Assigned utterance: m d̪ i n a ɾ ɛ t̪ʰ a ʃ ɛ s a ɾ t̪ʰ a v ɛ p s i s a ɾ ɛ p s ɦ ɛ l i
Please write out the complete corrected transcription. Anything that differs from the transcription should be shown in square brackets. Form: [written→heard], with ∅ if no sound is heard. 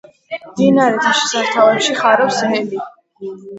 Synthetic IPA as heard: m d̪ i n a ɾ ɛ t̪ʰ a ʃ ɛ s a ɾ t̪ʰ a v ɛ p [s→ʃ] i [s→χ] a ɾ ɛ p s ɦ ɛ l i